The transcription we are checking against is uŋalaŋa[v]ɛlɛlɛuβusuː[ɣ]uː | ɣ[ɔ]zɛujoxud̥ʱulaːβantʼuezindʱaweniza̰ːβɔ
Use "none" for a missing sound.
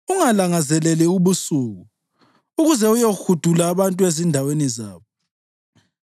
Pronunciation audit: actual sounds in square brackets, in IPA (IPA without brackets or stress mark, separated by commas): z, ɣ, u